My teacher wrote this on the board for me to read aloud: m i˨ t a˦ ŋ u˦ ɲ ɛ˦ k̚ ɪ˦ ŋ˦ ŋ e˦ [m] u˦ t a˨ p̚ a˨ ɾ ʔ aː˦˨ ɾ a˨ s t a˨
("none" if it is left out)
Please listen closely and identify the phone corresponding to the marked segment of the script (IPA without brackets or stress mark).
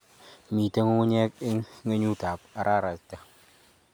ɲ